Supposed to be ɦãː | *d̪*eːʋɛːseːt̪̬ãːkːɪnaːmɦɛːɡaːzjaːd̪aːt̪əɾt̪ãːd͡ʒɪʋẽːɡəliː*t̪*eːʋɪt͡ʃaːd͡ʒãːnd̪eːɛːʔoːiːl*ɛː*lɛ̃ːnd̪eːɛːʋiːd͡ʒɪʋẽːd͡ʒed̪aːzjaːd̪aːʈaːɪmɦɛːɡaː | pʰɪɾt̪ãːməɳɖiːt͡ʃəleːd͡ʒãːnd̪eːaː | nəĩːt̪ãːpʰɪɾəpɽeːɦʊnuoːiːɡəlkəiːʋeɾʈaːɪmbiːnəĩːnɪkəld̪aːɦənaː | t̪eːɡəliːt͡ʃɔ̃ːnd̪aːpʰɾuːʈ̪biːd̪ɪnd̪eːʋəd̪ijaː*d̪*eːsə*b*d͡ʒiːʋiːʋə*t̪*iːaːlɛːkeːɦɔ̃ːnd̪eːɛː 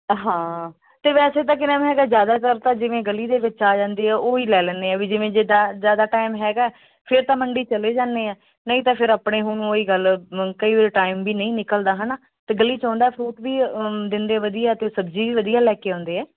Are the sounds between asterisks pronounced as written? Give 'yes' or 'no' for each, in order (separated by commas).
no, no, yes, no, yes, no